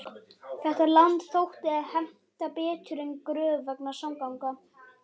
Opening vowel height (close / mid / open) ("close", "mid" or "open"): mid